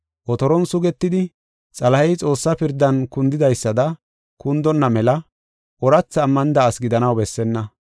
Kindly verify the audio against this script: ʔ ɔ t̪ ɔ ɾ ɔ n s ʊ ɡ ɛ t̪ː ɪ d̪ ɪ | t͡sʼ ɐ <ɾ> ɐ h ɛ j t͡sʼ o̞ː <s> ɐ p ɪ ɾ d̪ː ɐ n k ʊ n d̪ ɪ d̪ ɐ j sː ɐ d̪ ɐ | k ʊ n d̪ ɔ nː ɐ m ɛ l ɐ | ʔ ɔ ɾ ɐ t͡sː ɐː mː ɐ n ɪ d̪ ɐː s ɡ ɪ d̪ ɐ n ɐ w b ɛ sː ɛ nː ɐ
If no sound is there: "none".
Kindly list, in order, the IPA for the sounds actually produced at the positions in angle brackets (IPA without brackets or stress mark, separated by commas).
l, sː